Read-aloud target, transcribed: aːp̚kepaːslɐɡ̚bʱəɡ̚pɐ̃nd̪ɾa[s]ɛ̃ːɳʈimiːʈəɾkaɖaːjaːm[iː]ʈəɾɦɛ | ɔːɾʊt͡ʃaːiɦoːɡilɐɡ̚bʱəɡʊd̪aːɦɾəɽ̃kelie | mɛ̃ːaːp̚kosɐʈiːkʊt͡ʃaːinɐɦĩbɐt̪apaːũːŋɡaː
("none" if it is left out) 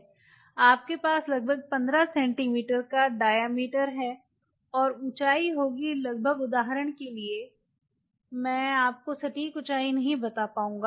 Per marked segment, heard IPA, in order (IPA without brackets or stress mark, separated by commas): s, iː